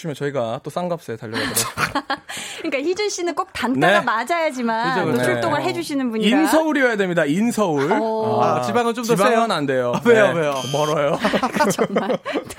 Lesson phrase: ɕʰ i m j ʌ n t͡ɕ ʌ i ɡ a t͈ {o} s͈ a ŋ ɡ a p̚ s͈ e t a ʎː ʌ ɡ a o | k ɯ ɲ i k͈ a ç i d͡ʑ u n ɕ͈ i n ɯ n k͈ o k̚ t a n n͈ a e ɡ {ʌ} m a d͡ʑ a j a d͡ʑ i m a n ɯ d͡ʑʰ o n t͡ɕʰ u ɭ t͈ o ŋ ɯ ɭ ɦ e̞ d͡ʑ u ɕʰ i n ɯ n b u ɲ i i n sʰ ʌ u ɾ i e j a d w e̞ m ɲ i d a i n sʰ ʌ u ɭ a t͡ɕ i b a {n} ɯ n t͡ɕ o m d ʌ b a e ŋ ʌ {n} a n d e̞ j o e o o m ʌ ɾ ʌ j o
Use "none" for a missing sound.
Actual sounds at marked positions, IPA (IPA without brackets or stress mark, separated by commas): o, a, ŋ, n